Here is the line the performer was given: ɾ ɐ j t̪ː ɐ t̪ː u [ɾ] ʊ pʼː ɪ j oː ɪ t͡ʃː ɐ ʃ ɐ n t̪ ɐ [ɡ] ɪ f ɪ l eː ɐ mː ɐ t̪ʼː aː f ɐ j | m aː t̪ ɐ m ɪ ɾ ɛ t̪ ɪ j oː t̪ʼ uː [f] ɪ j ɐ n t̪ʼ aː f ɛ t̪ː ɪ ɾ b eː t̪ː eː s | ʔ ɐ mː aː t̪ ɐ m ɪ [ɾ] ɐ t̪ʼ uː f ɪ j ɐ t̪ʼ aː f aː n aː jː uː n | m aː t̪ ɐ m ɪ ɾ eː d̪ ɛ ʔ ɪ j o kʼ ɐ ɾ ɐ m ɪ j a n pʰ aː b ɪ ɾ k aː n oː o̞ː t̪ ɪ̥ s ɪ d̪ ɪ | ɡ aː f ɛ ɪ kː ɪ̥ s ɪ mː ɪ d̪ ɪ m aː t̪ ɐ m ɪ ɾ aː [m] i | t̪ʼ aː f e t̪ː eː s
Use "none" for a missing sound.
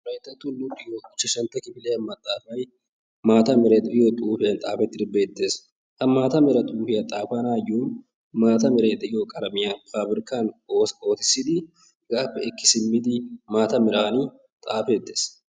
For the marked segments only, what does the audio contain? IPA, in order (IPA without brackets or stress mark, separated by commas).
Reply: l, k, f, ɾ, n